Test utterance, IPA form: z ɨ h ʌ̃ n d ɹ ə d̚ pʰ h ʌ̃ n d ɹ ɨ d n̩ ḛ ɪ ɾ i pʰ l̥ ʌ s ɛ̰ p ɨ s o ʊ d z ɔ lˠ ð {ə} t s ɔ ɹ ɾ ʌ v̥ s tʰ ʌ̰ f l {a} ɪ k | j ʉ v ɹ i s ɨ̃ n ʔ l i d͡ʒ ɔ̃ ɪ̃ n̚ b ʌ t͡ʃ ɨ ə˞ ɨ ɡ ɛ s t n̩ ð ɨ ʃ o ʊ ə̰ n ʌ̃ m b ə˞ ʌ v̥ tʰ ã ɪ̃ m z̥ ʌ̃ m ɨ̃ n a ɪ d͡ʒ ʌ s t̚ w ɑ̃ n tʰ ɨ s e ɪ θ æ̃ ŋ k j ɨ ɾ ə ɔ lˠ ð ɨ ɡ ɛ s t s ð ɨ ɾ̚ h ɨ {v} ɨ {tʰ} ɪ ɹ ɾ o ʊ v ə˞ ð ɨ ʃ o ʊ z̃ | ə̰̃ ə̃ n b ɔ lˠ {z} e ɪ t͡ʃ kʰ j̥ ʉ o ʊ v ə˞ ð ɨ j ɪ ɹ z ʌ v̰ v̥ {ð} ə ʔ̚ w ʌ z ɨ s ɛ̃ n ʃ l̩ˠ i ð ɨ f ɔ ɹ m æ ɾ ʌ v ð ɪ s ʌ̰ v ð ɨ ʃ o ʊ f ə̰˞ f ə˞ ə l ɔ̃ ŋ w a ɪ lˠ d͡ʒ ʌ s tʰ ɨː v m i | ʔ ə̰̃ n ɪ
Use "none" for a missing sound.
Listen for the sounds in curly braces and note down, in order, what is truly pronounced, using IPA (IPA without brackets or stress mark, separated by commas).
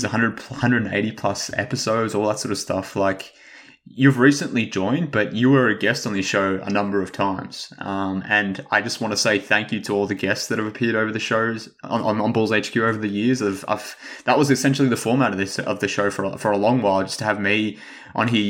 ə, a, v, pʰ, z, ð